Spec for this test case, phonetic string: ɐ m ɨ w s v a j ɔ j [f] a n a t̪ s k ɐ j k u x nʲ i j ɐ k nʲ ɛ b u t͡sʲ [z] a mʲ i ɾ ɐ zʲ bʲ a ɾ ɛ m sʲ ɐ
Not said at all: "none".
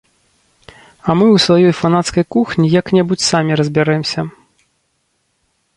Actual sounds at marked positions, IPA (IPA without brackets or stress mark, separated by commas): f, s